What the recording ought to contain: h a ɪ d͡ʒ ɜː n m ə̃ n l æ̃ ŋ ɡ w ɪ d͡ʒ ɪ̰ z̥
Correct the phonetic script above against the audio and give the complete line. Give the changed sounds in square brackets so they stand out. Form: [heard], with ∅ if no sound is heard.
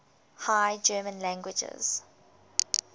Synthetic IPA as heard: h a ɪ d͡ʒ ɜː [∅] m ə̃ n l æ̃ ŋ ɡ w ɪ d͡ʒ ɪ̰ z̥